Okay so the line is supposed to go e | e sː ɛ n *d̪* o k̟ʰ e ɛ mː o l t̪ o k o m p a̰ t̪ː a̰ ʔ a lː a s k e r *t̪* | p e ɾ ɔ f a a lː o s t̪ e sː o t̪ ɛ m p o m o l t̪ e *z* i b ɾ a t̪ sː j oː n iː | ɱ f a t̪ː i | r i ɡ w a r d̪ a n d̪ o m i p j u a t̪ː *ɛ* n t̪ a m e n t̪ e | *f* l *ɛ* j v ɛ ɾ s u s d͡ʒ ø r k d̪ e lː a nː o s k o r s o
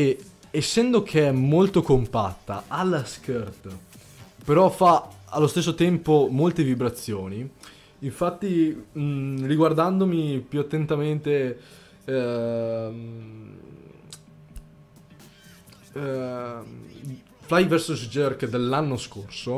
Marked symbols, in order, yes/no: yes, yes, no, no, yes, no

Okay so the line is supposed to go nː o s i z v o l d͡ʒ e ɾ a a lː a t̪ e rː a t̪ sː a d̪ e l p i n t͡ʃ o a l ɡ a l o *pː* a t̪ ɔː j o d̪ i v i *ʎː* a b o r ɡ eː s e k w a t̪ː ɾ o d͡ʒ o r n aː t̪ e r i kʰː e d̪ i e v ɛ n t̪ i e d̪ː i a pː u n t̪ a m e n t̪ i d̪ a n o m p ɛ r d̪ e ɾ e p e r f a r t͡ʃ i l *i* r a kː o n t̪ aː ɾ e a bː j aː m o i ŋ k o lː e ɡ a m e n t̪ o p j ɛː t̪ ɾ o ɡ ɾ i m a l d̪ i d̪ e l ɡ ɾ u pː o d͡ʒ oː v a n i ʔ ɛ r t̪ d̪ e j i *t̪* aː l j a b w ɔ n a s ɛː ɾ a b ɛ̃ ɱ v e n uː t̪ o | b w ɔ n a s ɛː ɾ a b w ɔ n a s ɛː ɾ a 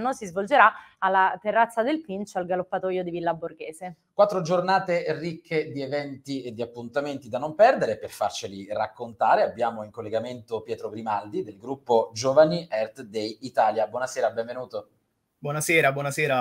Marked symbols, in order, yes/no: yes, no, yes, yes

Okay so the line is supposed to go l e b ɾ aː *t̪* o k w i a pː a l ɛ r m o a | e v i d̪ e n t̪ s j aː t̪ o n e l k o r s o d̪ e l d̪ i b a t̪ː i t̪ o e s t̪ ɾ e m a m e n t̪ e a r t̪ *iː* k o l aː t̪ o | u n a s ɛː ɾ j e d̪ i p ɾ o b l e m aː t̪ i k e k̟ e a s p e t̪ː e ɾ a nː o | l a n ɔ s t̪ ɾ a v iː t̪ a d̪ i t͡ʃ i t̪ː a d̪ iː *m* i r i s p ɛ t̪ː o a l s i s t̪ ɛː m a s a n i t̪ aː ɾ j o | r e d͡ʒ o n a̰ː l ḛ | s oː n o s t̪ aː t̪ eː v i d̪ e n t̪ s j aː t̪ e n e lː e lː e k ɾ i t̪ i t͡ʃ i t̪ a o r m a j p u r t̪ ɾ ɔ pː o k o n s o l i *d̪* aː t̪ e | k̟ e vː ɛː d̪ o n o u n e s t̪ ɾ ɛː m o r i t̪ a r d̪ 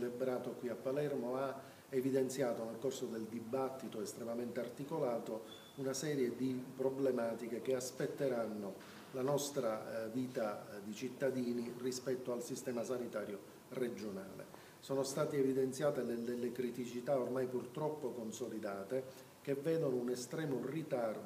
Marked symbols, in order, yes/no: yes, no, no, yes

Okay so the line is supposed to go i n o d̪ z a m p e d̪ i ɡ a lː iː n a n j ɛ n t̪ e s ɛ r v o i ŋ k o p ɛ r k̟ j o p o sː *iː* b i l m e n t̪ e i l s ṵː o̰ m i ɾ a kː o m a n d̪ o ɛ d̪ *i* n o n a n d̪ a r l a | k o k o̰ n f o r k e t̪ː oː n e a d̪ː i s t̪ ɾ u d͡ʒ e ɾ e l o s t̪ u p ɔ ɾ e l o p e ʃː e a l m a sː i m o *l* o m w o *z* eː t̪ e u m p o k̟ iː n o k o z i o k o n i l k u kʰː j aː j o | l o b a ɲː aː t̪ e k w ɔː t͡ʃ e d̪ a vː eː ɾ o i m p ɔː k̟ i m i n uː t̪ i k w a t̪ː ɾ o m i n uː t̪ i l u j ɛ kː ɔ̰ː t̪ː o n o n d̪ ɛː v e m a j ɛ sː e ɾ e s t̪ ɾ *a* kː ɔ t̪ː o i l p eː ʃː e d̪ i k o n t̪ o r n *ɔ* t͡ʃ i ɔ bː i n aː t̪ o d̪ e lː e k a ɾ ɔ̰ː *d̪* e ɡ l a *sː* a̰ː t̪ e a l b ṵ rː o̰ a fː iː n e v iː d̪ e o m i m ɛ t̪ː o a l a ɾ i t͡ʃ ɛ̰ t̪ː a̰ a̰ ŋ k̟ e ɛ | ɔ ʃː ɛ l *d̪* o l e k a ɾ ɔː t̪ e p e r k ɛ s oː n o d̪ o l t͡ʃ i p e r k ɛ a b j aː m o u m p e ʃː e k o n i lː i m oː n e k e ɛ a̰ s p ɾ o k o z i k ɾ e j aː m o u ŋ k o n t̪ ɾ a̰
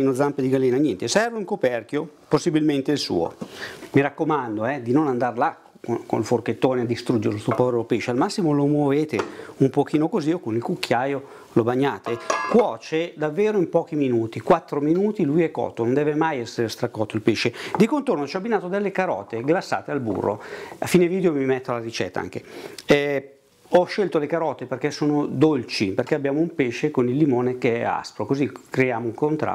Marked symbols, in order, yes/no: no, yes, yes, no, yes, no, no, yes, no

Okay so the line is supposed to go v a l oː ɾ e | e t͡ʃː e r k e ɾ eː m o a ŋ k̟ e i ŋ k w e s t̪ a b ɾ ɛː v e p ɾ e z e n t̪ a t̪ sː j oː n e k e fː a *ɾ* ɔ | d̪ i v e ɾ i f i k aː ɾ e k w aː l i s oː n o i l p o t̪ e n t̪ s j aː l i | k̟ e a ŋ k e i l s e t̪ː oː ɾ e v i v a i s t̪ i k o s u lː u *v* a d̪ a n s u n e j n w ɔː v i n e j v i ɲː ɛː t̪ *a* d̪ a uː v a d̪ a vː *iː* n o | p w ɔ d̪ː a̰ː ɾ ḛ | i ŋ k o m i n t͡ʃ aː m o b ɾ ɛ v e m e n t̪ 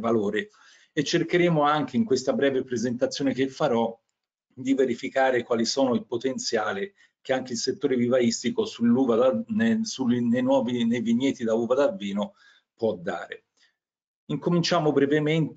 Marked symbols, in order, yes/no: yes, yes, no, yes

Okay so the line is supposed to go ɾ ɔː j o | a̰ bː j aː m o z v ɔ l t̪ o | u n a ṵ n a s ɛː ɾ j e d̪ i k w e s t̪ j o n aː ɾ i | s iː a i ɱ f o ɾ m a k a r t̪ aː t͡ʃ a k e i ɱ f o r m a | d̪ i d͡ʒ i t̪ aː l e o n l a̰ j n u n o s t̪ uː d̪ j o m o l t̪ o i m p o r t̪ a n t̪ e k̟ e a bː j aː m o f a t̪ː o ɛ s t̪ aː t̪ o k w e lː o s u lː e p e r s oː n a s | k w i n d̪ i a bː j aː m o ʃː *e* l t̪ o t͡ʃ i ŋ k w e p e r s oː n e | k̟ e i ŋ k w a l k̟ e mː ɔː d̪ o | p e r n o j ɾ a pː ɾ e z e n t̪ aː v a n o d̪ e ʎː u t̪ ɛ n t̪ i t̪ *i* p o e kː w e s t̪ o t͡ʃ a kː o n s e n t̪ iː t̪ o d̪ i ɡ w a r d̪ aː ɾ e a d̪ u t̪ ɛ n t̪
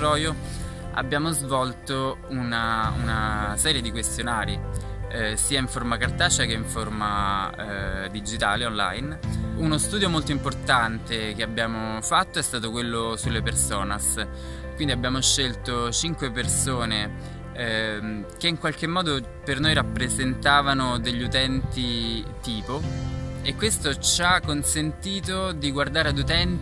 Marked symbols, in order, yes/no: yes, no

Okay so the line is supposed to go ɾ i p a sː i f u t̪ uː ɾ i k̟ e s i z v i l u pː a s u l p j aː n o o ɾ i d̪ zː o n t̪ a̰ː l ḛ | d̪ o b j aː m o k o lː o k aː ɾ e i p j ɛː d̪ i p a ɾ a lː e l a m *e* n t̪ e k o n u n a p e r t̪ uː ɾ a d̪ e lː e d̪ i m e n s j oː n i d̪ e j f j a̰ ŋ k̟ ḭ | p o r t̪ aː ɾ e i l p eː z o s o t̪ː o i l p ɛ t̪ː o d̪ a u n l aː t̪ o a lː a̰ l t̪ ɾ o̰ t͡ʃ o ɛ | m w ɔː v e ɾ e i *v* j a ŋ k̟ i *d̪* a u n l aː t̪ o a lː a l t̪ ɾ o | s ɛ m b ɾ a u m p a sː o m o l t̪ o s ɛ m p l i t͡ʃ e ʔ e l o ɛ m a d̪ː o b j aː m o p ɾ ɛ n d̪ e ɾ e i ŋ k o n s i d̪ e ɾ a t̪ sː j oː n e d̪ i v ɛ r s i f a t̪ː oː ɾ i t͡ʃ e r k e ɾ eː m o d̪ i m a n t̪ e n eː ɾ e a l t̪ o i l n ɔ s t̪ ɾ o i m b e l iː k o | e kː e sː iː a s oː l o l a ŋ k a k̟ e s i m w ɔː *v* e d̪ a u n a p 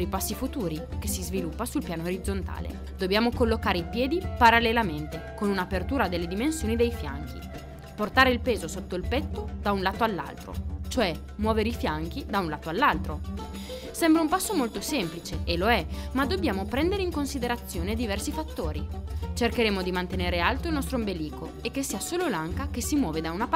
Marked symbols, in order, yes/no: yes, no, yes, yes

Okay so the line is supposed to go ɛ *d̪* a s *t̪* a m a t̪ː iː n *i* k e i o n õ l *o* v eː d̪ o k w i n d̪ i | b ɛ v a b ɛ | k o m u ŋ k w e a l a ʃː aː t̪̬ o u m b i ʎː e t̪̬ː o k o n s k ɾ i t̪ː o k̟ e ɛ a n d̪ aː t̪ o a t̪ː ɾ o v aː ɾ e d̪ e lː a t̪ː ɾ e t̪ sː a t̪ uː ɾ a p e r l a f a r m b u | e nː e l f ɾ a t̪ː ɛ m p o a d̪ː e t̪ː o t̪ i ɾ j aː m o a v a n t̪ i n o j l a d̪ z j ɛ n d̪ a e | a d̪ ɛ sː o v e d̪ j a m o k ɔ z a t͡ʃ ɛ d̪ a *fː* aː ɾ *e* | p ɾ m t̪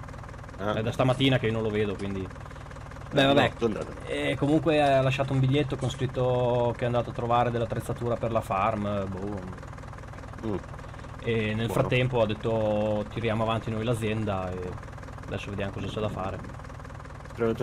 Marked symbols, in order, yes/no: yes, yes, no, yes, no, yes

